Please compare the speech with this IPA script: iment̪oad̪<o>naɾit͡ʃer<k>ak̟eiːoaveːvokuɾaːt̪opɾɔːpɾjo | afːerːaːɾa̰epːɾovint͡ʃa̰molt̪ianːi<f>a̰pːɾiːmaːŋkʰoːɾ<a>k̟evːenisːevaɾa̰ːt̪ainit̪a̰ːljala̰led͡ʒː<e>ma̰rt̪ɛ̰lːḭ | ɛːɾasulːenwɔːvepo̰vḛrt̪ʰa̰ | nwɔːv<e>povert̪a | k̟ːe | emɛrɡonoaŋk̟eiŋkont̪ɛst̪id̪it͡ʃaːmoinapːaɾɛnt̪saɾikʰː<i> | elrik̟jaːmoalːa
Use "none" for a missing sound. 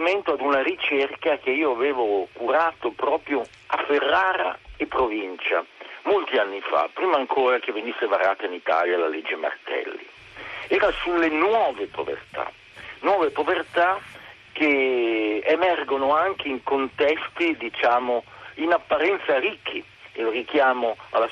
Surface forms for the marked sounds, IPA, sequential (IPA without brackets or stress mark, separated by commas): u, k, f, a, e, e, i